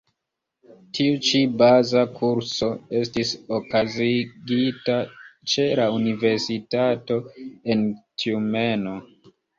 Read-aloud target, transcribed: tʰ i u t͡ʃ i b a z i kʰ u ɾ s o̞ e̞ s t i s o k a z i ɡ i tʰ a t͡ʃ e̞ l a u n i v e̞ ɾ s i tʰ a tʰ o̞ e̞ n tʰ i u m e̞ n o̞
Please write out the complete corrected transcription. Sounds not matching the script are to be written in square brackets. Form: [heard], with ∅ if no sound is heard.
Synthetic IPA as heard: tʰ i u t͡ʃ i b a z [a] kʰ u ɾ s o̞ e̞ s t i s o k a z i ɡ i [t] a t͡ʃ e̞ l a u n i v e̞ ɾ s i [t] a [t] o̞ e̞ n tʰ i u m e̞ n o̞